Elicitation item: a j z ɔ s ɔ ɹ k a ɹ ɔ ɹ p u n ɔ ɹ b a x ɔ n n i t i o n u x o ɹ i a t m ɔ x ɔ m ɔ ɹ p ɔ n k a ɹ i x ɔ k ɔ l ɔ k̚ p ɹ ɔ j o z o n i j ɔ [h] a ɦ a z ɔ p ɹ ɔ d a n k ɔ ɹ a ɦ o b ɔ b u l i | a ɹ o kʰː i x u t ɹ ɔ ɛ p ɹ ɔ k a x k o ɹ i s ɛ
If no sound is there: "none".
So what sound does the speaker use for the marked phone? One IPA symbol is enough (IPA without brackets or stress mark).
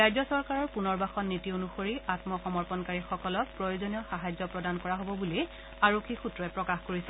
x